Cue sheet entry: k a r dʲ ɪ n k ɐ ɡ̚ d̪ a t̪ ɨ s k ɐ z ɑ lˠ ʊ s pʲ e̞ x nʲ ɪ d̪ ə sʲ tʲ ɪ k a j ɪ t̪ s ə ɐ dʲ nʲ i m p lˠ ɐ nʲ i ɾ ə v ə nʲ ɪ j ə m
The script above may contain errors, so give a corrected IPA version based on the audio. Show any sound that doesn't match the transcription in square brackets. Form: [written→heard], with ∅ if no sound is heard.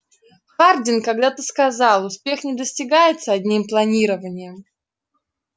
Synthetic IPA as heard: [k→x] a r dʲ ɪ n k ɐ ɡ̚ d̪ a t̪ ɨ s k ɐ z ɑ lˠ ʊ s pʲ e̞ x nʲ ɪ d̪ ə sʲ tʲ ɪ [k→ɡ] a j ɪ t̪ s ə ɐ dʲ nʲ i m p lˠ ɐ nʲ i ɾ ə v ə nʲ ɪ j ə m